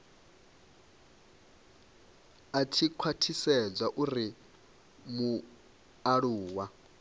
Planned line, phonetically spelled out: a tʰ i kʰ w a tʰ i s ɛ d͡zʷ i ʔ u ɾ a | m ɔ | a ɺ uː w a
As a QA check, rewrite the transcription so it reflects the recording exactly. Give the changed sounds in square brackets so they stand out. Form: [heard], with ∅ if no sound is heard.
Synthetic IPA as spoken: a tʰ i kʰ w a tʰ i s ɛ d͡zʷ [a] ʔ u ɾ [i] | m [u] | a ɺ uː w a